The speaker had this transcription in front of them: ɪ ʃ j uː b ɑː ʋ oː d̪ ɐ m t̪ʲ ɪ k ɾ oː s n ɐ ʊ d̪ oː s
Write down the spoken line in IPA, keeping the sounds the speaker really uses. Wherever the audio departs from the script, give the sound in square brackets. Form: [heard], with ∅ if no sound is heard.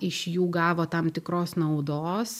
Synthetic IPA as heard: ɪ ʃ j uː [ɡ] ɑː ʋ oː [t̪] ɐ m t̪ʲ ɪ k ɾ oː s n ɐ ʊ d̪ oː s